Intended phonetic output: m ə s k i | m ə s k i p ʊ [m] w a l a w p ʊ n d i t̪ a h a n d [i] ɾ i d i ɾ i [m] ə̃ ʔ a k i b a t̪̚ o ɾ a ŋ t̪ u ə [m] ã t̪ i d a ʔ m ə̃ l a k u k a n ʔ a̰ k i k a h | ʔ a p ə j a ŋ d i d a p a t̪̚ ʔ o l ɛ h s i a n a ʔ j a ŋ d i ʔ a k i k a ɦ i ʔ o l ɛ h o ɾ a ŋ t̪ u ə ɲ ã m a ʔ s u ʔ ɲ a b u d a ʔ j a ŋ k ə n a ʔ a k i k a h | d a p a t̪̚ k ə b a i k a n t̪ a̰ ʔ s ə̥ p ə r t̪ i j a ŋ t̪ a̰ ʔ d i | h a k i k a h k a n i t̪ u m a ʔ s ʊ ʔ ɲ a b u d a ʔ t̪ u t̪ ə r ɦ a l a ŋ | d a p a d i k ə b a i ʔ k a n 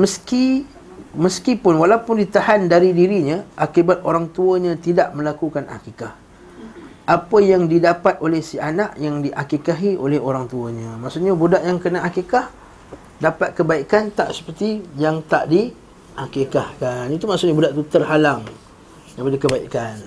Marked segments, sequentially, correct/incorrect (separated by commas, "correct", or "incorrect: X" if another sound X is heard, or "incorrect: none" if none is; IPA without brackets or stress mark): incorrect: n, incorrect: a, incorrect: ɲ, incorrect: ɲ